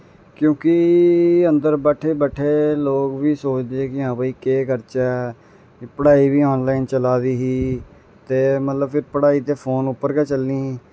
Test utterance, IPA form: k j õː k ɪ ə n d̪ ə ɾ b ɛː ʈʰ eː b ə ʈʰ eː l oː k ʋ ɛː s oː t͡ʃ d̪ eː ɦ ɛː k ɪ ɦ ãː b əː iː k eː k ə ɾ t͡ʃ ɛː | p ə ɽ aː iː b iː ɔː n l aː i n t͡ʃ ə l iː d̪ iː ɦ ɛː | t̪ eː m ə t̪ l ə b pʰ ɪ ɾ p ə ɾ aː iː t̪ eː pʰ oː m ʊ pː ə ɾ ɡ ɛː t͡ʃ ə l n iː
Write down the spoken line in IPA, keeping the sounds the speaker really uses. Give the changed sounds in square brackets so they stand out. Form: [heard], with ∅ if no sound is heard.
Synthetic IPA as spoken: k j õː k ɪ ə n d̪ ə ɾ b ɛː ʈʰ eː b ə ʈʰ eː l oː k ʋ [iː] s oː t͡ʃ d̪ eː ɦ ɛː k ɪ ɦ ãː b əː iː k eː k ə ɾ t͡ʃ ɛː | p ə ɽ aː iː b iː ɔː n l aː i n t͡ʃ ə l [aː] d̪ iː ɦ [iː] | t̪ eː m ə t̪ l ə b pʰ ɪ ɾ p ə [ɽ] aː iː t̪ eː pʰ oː [n] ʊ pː ə ɾ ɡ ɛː t͡ʃ ə l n iː